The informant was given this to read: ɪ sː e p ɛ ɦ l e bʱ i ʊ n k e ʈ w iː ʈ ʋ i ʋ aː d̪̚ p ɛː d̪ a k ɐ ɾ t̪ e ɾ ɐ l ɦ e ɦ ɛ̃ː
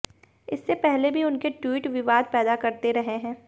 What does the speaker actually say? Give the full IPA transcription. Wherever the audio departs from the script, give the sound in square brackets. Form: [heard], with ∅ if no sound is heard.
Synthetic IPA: ɪ sː e p ɛ ɦ l e bʱ i ʊ n k e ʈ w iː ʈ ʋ [ɪ] ʋ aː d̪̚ p ɛː d̪ a k ɐ ɾ t̪ e ɾ ɐ [∅] ɦ e ɦ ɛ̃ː

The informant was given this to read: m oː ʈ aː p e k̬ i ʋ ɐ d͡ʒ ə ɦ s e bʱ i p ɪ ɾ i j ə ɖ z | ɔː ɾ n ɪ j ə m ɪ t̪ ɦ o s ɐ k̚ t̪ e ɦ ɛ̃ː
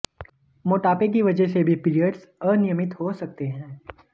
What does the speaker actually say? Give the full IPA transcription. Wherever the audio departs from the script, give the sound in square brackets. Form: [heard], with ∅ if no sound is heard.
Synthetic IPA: m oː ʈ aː p e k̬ i ʋ ɐ d͡ʒ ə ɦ s e bʱ i p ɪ ɾ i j ə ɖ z | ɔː ɾ n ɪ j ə m ɪ t̪ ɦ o s ɐ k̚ t̪ e ɦ ɛ̃ː

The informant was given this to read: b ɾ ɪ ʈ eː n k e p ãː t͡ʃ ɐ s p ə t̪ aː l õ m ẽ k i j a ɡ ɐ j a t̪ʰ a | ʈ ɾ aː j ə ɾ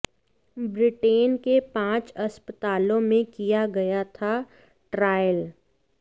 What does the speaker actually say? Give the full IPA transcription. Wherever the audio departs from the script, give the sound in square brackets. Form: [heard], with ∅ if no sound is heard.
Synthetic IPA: b ɾ ɪ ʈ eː n k e p ãː t͡ʃ ɐ s p ə t̪ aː l õ m ẽ k i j a ɡ ɐ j a t̪ʰ a | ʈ ɾ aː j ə [l]

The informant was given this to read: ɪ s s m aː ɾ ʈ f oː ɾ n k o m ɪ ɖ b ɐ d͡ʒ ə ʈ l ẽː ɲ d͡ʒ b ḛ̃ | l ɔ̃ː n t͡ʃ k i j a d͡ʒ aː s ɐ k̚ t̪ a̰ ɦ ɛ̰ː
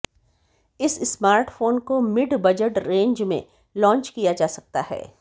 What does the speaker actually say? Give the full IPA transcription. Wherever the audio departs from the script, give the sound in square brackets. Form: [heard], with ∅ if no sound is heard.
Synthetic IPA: ɪ s s m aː ɾ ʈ f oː [∅] n k o m ɪ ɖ b ɐ d͡ʒ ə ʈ [ɾ] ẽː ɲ d͡ʒ [m] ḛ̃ | l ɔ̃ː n t͡ʃ k i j a d͡ʒ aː s ɐ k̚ t̪ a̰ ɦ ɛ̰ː

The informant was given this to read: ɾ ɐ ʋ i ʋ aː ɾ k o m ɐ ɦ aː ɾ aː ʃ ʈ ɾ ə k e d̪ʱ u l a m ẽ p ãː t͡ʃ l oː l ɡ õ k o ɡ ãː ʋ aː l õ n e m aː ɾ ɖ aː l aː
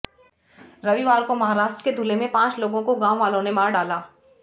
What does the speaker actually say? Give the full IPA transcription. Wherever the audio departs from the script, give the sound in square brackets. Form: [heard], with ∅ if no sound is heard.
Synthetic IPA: ɾ ɐ ʋ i ʋ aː ɾ k o m ɐ ɦ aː ɾ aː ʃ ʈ ɾ ə k e d̪ʱ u l [e] m ẽ p ãː t͡ʃ l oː [∅] ɡ õ k o ɡ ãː ʋ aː l õ n e m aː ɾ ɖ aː l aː

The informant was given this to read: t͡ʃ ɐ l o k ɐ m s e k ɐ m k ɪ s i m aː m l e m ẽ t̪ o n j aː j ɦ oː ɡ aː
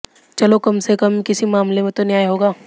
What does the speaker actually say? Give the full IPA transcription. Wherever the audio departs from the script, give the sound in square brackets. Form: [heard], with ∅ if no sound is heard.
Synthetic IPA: t͡ʃ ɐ l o k ɐ m s e k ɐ m k ɪ s i m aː m l e m ẽ t̪ o n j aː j ɦ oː ɡ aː

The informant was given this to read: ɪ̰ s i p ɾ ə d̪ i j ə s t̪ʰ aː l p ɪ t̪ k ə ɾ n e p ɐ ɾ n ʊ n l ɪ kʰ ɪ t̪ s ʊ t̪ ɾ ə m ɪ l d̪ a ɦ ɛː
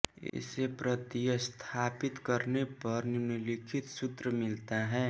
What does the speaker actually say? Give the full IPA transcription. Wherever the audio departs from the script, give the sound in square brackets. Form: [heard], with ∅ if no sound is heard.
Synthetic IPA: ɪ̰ s [e] p ɾ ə [t̪] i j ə s t̪ʰ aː [∅] p ɪ t̪ k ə ɾ n e p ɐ ɾ n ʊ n l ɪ kʰ ɪ t̪ s ʊ t̪ ɾ ə m ɪ l [t̪] a ɦ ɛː

